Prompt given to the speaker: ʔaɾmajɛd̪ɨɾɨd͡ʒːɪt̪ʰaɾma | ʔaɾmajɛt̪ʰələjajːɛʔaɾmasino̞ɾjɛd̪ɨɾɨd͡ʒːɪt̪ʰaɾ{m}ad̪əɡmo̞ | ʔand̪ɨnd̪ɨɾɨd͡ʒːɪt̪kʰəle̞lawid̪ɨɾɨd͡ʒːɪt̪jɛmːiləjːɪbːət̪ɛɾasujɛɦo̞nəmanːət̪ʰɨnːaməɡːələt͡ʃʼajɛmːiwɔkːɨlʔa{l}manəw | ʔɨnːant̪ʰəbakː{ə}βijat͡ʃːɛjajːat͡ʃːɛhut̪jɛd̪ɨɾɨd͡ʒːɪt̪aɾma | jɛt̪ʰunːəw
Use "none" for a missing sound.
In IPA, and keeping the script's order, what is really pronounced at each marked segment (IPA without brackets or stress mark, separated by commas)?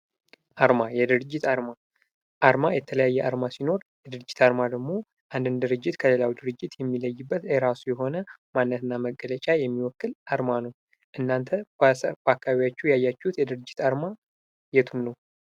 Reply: m, ɾ, a